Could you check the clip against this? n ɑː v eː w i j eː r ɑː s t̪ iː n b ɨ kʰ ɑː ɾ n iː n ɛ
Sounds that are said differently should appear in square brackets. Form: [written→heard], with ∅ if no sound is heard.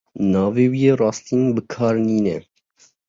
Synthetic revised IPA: n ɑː v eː w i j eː r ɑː s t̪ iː n b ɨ kʰ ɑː ɾ n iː n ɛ